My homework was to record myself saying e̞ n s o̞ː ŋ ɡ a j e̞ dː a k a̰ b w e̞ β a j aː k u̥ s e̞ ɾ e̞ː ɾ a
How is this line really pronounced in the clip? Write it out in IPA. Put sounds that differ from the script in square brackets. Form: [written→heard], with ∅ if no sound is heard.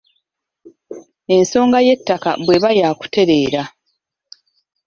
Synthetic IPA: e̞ n s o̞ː ŋ ɡ a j e̞ [dː→tː] a k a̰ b w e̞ β a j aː k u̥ [s→t] e̞ ɾ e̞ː ɾ a